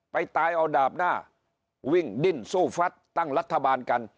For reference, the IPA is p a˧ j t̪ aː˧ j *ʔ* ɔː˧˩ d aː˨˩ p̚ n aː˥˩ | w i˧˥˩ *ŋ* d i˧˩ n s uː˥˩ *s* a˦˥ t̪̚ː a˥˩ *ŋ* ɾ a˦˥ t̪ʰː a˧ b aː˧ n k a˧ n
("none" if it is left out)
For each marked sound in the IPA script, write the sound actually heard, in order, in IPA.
ʔ, ŋ, f, ŋ

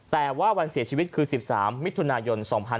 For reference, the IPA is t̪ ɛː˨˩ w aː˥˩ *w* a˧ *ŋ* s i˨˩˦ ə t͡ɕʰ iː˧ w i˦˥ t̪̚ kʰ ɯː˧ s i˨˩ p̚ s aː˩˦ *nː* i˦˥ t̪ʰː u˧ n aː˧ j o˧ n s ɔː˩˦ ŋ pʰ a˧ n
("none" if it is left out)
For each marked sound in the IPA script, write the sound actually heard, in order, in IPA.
w, n, mː

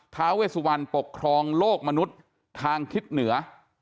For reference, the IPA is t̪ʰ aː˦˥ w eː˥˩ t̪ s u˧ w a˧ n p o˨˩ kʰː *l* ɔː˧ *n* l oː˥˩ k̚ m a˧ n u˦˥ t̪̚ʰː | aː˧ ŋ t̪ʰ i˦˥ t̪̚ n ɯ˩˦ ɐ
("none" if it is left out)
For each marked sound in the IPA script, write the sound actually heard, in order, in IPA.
ɾ, ŋ

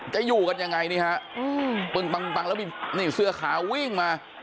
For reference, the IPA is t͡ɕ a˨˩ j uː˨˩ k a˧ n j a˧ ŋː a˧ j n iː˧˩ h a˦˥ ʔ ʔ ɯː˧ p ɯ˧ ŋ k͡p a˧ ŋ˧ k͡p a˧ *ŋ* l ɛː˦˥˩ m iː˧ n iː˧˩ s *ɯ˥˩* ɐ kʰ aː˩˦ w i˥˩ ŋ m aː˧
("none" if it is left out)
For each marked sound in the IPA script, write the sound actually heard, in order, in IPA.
ŋ, ɯ˧

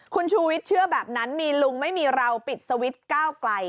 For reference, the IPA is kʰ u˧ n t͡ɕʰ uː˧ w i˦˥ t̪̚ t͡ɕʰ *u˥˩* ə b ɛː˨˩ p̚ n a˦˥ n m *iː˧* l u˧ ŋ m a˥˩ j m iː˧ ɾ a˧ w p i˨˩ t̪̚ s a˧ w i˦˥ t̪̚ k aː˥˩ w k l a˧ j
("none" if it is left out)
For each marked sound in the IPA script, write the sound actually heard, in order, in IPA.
ɯ˥˩, iː˧

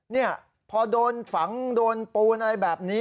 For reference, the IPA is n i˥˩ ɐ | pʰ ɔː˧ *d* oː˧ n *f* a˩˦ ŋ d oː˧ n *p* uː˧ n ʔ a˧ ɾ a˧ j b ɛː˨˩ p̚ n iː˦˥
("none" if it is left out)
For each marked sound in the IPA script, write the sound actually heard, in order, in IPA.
d, f, p

